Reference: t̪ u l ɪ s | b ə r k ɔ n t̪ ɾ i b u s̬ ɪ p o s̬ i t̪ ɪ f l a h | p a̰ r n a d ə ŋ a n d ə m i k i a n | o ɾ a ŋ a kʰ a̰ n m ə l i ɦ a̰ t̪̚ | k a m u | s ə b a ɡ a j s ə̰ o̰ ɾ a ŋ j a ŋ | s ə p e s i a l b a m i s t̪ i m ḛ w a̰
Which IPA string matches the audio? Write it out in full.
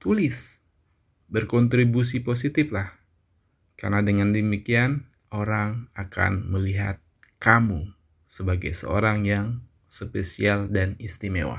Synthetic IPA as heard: t̪ u l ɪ s | b ə r k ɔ n t̪ ɾ i b u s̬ i p o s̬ i t̪ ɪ f l a h | k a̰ r n a d ə ŋ a n d ə m i k i a n | o ɾ a ŋ a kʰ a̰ n m ə l i ɦ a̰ t̪̚ | k a m u | s ə b a ɡ a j s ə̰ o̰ ɾ a ŋ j a ŋ | s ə p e s i a l d a n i s t̪ i m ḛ w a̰